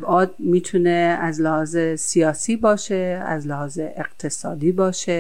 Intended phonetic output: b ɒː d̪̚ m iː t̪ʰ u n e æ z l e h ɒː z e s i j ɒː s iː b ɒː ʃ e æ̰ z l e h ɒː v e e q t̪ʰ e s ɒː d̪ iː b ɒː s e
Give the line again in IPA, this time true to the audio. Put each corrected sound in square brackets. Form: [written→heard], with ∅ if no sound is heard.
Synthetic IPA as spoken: b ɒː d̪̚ m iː t̪ʰ u n e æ z l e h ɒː z e s i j ɒː s iː b ɒː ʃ e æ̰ z l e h ɒː [v→z] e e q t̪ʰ e s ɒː d̪ iː b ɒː [s→ʃ] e